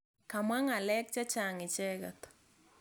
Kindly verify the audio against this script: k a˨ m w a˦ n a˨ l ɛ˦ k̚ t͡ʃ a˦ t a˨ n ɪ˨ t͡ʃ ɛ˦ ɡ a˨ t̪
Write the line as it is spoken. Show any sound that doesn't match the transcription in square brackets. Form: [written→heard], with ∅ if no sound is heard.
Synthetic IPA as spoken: k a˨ m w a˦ [n→ŋ] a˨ l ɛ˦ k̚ t͡ʃ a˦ [t→t͡ʃ] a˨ [n→ŋ] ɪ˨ t͡ʃ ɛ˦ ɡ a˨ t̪